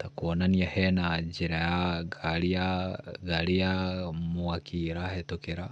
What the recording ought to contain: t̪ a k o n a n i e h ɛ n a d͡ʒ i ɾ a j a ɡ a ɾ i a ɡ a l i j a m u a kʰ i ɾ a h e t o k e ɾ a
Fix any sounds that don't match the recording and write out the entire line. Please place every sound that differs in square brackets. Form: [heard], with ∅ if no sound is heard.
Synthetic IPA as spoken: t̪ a k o n a n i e h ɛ n a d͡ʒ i ɾ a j a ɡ a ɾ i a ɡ a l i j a m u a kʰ i ɾ a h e t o k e ɾ a